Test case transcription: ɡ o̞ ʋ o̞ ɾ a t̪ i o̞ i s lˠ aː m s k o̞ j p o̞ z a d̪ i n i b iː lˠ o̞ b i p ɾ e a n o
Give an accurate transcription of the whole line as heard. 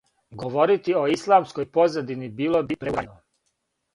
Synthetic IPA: ɡ o̞ ʋ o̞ ɾ i t̪ i o̞ i s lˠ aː m s k o̞ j p o̞ z a d̪ i n i b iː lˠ o̞ b i p ɾ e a n o